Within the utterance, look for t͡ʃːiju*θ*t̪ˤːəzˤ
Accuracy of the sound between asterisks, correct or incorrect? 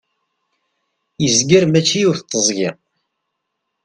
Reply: correct